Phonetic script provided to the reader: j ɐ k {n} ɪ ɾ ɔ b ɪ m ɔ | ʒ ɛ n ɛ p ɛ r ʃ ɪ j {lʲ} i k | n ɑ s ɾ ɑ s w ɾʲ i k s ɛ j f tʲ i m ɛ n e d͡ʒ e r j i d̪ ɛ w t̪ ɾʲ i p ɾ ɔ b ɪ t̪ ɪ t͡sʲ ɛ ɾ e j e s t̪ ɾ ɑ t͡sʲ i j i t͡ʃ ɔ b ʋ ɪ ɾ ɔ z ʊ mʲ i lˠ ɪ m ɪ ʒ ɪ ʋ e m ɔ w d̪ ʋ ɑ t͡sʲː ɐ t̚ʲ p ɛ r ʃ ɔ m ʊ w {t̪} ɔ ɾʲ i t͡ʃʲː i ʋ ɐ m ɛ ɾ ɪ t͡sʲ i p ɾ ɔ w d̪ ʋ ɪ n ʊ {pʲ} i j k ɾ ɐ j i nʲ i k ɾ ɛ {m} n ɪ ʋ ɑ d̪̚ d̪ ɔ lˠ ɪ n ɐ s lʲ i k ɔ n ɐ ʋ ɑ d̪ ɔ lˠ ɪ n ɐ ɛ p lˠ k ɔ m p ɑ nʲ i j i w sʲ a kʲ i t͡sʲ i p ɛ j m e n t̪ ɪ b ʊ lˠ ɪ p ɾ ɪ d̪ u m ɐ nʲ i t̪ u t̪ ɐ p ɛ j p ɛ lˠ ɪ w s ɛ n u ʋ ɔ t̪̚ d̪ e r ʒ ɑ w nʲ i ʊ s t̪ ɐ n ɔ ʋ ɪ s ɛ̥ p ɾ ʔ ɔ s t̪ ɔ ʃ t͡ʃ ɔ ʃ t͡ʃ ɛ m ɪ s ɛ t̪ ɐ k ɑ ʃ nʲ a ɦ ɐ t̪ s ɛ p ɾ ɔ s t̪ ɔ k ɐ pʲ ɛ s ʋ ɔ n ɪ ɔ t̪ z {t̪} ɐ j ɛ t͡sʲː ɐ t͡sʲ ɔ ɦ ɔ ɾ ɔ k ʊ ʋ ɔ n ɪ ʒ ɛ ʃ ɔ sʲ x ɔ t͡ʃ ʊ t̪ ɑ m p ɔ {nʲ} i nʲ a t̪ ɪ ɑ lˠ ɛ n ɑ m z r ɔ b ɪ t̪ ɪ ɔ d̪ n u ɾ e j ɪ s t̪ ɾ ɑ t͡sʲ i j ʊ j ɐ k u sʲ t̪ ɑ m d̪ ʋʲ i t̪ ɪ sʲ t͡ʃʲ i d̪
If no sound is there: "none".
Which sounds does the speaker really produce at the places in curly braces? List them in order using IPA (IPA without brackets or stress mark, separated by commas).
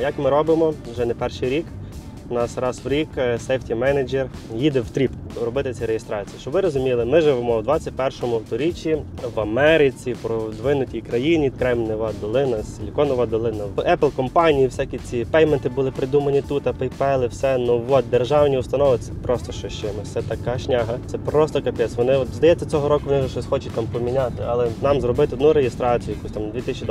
m, ɾʲ, t̪, tʲ, m, d̪, mʲ